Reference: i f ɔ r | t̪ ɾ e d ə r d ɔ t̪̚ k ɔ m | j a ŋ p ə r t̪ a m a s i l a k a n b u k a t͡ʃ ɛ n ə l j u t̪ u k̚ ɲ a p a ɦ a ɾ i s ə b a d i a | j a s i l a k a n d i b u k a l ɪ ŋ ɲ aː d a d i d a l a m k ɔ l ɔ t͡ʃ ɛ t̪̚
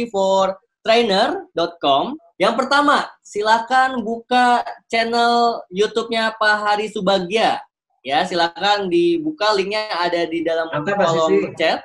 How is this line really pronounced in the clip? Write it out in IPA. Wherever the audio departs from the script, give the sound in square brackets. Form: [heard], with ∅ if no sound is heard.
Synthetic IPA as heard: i f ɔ r | t̪ ɾ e [n] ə r d ɔ t̪̚ k ɔ m | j a ŋ p ə r t̪ a m a s i l a k a n b u k a t͡ʃ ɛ n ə l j u t̪ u [p̚] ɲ a p a ɦ a ɾ i s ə b a [ɡ] i a | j a s i l a k a n d i b u k a l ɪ ŋ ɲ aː d a d i d a l a m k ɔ l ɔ t͡ʃ ɛ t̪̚

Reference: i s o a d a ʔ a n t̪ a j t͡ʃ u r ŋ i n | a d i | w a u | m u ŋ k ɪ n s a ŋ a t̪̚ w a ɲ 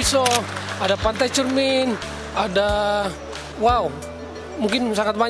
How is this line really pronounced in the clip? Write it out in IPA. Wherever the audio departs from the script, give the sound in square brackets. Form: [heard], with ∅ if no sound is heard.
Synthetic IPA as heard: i s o a d a [p] a n t̪ a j t͡ʃ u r [m] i n | a d [a] | w a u | m u ŋ k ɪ n s a ŋ a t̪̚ [b] a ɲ

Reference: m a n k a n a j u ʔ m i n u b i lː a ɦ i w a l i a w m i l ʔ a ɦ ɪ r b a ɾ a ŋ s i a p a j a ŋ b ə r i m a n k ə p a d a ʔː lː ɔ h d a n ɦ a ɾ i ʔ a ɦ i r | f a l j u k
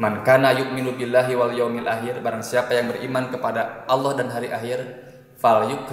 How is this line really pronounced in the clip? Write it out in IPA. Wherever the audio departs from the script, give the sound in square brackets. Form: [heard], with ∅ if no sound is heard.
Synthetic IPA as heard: m a n k a n a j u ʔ m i n u b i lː a ɦ i w a l [j] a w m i l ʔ a ɦ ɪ r b a ɾ a ŋ s i a p a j a ŋ b ə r i m a n k ə p a d a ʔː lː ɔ h d a n ɦ a ɾ i ʔ a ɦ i r | f a l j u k

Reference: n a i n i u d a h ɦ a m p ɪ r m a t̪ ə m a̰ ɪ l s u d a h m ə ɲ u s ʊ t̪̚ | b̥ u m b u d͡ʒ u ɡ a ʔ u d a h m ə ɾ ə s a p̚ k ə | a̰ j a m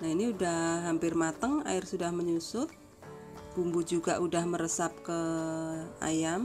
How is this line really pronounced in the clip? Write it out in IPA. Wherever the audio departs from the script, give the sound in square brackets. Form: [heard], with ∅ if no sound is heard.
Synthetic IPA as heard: n a i n i u d a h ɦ a m p ɪ r m a t̪ ə [ŋ] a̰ ɪ [r] s u d a h m ə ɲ u s ʊ t̪̚ | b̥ u m b u d͡ʒ u ɡ a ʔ u d a h m ə ɾ ə s a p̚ k ə | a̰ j a m

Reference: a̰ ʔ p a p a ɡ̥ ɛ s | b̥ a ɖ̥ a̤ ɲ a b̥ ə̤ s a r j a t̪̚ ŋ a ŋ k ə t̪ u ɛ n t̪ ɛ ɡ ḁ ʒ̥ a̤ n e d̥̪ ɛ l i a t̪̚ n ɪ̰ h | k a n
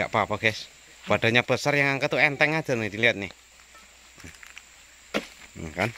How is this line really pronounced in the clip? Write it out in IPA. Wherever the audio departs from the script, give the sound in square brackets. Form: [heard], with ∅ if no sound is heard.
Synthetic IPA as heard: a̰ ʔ p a p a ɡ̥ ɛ s | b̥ a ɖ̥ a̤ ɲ a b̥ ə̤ s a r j a [∅] ŋ a ŋ k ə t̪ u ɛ n t̪ ɛ [ŋ] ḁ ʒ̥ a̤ n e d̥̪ [i] l i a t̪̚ n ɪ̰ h | k a n

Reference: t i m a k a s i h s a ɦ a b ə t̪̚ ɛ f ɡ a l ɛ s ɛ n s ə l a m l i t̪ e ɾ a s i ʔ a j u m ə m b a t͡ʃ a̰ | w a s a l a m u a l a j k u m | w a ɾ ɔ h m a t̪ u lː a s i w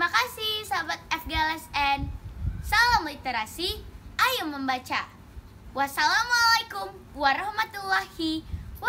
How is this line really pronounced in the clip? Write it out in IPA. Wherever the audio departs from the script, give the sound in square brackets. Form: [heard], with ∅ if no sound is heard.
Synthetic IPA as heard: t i m a k a s i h s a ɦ a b [a] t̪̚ ɛ f ɡ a l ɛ s ɛ n s [a] l a m l i t̪ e ɾ a s i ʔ a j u m ə m b a t͡ʃ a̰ | w a s a l a m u a l a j k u m | w a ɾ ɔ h m a t̪ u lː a [h] i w

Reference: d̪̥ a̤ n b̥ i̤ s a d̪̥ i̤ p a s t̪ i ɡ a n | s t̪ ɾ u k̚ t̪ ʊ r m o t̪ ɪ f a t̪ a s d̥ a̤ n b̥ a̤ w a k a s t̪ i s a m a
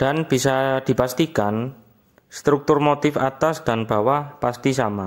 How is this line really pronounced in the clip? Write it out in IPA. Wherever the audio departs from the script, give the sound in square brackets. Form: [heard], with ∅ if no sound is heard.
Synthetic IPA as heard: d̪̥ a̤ n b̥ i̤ s a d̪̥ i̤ p a s t̪ i [k] a n | s t̪ ɾ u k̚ t̪ ʊ r m o t̪ ɪ f a t̪ a s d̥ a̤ n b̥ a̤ w a [p] a s t̪ i s a m a

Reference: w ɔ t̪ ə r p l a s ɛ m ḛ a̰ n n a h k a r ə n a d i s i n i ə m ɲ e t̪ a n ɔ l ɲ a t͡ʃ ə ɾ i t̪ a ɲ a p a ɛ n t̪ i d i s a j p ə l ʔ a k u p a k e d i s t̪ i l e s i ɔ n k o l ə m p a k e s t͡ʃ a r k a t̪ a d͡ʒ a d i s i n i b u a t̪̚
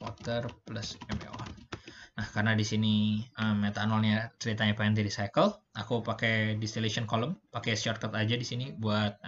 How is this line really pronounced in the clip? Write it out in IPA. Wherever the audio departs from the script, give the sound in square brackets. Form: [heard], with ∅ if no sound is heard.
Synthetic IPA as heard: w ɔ t̪ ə r p l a s ɛ m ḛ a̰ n n a h k a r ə n a d i s i n i ə m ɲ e t̪ a n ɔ l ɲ a t͡ʃ ə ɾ i t̪ a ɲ a p a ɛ n t̪ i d i s a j [k] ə l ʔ a k u p a k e d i s t̪ i l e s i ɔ n k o l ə m p a k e s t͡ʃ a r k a t̪ a d͡ʒ a d i s i n i b u a t̪̚

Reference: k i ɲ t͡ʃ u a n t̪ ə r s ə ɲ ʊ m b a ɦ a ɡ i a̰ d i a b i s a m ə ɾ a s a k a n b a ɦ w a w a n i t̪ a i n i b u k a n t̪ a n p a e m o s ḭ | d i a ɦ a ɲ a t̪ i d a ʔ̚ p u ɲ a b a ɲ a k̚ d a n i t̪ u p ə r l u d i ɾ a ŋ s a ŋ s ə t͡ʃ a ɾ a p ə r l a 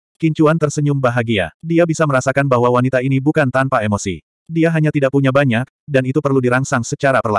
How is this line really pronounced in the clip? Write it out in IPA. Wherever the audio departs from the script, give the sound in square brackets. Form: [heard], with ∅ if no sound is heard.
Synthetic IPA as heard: k i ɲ t͡ʃ u a n t̪ ə r s ə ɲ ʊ m b a ɦ a ɡ i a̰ d i a b i s a m ə ɾ a s a k a n b a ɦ w a w a n i t̪ a i n i b u k a n t̪ a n p a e m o s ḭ | d i a ɦ a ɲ a t̪ i d a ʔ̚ p u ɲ a b a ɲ a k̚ d a n i t̪ u p ə r l u d i ɾ a ŋ s a ŋ s ə t͡ʃ a ɾ a p ə r l a

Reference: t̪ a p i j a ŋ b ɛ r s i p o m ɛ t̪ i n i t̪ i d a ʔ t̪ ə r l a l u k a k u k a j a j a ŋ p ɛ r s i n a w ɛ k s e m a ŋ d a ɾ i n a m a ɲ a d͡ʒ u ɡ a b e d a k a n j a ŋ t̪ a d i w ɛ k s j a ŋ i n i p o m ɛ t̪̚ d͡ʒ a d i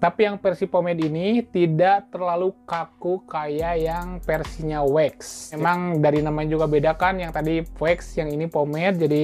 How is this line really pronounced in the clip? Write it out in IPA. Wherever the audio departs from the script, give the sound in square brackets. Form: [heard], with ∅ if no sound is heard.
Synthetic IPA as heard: t̪ a p i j a ŋ [p] ɛ r s i p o m ɛ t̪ i n i t̪ i d a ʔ t̪ ə r l a l u k a k u k a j a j a ŋ p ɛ r s i [ɲ] a w ɛ k s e m a ŋ d a ɾ i n a m a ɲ a d͡ʒ u ɡ a b e d a k a n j a ŋ t̪ a d i w ɛ k s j a ŋ i n i p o m ɛ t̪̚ d͡ʒ a d i

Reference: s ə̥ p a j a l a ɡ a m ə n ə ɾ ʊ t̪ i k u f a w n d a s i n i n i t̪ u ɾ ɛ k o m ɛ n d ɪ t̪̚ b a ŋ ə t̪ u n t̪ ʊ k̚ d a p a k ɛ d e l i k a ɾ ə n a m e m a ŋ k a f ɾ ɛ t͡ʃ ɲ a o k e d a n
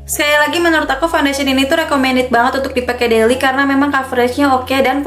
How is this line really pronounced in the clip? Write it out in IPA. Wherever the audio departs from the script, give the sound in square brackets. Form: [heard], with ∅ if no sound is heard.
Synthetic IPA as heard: s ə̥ [k] a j a l a ɡ [i] m ə n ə ɾ ʊ t̪ [a] k u f a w n d a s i n i n i t̪ u ɾ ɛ k o m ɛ n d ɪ t̪̚ b a ŋ ə t̪ u n t̪ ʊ k̚ d [i] p a k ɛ d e l i k a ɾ ə n a m e m a ŋ k a f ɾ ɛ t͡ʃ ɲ a o k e d a n

